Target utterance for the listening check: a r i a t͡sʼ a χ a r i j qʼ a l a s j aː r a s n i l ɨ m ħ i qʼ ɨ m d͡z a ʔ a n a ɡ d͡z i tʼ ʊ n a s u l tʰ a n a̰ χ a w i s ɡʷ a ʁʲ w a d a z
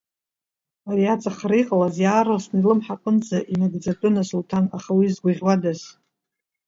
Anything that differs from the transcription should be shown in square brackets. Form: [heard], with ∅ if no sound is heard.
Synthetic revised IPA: a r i a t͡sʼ a χ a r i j qʼ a l a [z] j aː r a s n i l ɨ m ħ [a] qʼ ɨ [n] d͡z a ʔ [i] n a ɡ d͡z [a] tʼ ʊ n a s u l tʰ a n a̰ χ a w i [z] ɡʷ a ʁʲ w a d a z